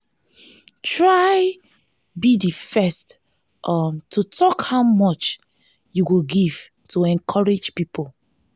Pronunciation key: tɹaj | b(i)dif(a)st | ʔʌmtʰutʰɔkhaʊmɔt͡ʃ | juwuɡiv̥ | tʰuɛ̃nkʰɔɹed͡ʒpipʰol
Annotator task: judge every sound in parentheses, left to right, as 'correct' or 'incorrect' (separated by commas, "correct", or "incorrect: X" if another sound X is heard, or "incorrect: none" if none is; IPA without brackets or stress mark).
correct, incorrect: ɛ